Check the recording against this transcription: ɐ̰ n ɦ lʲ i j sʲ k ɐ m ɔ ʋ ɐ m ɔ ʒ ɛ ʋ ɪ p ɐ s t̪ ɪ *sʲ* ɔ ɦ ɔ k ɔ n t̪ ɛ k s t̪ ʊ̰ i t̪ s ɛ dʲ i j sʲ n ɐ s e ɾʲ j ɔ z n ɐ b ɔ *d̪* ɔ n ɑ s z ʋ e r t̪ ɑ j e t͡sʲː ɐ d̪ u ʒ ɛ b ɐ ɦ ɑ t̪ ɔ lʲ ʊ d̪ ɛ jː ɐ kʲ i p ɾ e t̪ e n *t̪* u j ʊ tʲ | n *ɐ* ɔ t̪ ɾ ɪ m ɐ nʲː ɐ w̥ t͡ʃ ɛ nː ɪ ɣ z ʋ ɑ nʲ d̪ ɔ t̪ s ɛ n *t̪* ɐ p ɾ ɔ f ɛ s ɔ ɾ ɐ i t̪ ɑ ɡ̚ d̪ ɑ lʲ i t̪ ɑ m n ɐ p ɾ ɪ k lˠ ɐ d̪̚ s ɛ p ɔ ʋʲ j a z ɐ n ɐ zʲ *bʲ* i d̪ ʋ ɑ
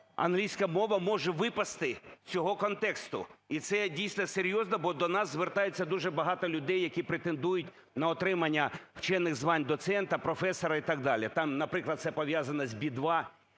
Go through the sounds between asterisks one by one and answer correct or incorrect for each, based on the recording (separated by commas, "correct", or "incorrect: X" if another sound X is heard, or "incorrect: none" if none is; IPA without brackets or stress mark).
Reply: incorrect: t͡sʲ, correct, incorrect: d̪, correct, correct, correct